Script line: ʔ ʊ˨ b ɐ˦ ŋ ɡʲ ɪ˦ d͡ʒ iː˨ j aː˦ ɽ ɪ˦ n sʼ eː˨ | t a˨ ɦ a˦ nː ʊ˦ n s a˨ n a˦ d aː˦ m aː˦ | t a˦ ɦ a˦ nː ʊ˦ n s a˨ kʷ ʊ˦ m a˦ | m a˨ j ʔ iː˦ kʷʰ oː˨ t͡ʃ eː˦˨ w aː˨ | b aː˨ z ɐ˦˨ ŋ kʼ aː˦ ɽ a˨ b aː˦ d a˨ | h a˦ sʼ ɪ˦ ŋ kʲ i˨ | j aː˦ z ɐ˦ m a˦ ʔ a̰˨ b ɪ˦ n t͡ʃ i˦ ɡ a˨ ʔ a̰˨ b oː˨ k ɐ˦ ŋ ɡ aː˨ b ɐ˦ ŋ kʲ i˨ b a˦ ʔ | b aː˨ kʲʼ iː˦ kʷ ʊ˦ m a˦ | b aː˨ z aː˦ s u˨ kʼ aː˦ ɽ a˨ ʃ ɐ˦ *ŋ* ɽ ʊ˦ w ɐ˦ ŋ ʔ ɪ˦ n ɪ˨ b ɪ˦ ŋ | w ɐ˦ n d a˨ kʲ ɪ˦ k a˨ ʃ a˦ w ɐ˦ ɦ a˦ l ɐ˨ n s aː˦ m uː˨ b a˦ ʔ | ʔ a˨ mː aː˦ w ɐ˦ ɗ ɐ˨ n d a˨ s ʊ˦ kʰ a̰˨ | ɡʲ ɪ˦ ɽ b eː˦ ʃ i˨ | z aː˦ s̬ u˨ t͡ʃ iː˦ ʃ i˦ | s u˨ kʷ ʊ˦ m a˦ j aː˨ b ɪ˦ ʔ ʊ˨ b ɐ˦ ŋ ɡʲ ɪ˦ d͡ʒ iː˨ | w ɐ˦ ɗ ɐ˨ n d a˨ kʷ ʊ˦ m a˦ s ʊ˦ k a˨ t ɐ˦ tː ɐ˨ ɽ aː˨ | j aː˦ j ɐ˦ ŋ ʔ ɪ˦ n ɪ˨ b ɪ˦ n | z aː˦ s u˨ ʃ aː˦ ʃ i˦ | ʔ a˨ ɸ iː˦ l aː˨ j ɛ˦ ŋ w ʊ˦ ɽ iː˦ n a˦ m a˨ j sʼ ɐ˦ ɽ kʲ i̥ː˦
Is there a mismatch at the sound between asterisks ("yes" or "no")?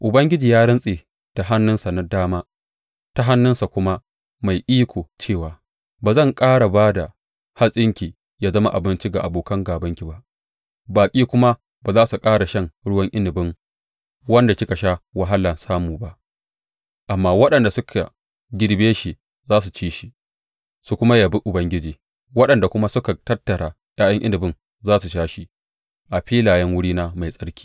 no